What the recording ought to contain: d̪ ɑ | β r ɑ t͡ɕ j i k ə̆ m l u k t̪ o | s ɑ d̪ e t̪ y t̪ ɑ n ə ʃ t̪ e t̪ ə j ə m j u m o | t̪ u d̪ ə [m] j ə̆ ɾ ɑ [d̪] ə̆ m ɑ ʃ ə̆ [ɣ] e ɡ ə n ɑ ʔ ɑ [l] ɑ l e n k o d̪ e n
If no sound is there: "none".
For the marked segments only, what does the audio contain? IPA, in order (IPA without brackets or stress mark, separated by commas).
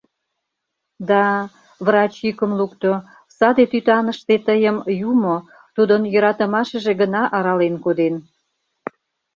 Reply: n, t̪, ʒ, ɾ